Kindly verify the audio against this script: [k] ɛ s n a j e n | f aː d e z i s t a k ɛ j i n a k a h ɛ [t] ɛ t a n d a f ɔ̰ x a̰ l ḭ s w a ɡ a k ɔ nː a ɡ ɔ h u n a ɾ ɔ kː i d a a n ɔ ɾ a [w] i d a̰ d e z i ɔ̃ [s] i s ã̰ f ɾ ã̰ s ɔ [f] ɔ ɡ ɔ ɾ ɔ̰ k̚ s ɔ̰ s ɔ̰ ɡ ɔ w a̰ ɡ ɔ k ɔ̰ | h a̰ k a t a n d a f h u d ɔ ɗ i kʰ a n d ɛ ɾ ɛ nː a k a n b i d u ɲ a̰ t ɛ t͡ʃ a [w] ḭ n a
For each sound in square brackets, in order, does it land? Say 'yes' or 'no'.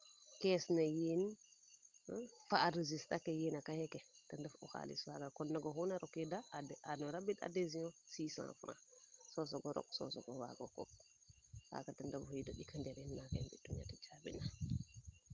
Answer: yes, no, no, yes, no, no

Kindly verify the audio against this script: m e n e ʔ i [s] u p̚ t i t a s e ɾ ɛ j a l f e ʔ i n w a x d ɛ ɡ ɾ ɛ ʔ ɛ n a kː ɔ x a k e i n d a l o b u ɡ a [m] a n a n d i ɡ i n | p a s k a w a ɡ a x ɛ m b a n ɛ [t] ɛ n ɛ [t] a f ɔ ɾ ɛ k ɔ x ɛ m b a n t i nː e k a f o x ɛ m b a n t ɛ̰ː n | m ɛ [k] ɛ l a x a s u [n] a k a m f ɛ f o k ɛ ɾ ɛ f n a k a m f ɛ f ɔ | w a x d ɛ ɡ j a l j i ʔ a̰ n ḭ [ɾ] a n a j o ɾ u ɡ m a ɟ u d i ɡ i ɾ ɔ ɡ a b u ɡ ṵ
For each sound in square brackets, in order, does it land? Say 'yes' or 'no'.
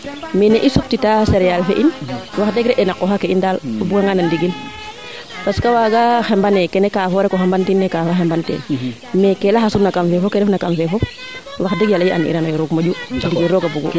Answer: yes, no, no, no, yes, yes, yes

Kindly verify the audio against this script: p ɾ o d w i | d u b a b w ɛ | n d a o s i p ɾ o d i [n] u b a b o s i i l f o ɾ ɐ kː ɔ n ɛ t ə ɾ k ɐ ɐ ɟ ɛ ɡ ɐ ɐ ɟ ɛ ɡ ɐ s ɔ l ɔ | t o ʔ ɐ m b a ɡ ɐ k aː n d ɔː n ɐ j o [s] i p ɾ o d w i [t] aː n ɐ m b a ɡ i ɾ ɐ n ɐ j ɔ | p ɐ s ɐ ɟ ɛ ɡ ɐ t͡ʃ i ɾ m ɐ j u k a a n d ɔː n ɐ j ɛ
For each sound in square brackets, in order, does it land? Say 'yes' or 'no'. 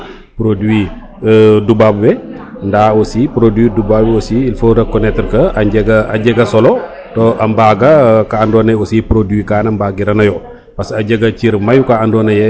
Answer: no, yes, no

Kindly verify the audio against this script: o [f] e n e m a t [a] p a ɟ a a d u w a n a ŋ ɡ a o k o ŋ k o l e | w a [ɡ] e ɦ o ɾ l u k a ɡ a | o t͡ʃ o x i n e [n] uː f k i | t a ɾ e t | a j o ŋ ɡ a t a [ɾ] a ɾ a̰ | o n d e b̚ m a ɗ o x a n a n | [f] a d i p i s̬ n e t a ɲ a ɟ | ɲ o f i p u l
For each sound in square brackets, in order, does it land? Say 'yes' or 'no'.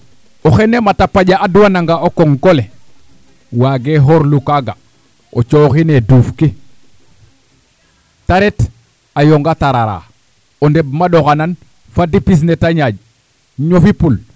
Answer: no, yes, yes, no, yes, yes

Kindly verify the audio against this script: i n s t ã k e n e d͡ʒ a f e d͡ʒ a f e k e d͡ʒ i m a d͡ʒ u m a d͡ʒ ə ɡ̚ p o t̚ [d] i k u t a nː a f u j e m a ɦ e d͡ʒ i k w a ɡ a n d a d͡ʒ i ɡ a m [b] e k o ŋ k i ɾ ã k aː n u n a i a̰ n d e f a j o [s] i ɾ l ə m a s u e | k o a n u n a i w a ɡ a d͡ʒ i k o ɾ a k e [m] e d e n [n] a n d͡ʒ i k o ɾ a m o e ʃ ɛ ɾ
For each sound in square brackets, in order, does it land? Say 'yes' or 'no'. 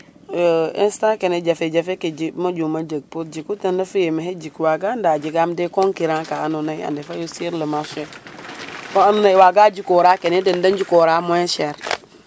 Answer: no, no, yes, no, no

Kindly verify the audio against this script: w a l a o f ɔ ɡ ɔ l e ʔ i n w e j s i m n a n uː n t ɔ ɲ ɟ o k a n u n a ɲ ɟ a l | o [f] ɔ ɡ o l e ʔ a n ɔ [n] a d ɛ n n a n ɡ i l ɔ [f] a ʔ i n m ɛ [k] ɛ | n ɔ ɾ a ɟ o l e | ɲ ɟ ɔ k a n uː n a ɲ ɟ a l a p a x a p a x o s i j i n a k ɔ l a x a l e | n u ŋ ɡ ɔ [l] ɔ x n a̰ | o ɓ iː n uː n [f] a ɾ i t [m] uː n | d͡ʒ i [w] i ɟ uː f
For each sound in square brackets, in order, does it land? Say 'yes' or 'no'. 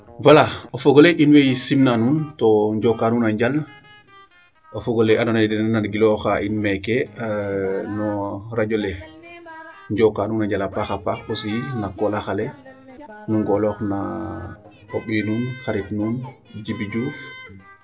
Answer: yes, yes, no, yes, yes, no, no, no

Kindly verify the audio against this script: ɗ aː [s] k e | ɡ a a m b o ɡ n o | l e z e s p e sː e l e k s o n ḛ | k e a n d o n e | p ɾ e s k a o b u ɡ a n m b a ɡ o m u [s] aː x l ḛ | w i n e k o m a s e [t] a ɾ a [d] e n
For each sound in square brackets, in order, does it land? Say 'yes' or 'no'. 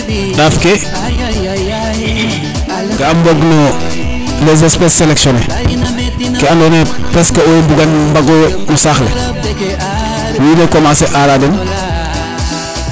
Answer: no, yes, no, yes

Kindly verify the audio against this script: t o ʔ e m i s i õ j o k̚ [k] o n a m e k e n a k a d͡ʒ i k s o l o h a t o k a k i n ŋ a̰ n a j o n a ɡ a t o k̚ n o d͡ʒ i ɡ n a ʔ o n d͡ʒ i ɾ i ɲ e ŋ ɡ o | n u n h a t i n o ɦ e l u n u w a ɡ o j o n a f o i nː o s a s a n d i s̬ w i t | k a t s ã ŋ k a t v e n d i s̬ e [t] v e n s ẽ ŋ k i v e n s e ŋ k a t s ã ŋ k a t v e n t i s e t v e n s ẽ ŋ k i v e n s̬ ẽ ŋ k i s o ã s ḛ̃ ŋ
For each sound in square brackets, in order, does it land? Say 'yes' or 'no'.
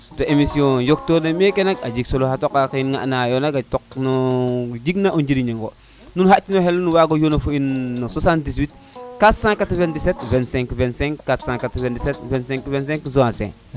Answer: no, yes

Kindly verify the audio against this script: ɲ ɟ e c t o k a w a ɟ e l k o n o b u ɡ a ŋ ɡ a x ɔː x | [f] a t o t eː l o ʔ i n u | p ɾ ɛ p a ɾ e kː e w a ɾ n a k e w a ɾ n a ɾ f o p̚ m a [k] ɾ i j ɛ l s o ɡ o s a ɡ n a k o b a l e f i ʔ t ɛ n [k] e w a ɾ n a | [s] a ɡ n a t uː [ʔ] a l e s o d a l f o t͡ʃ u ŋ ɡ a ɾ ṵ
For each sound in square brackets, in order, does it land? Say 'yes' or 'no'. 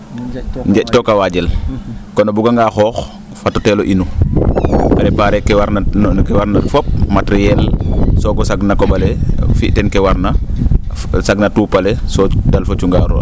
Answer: yes, no, yes, yes, no

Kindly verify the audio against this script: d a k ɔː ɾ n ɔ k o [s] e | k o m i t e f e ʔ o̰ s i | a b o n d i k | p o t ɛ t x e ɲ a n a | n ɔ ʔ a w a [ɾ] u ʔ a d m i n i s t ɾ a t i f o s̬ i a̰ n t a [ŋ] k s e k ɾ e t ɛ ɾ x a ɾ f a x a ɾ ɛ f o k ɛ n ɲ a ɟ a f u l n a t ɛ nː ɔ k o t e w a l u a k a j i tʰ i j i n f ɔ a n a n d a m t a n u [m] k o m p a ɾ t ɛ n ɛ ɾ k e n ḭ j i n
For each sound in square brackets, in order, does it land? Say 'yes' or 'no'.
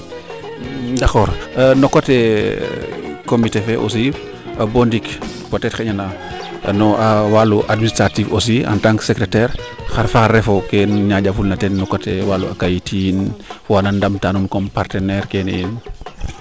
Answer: no, no, yes, no

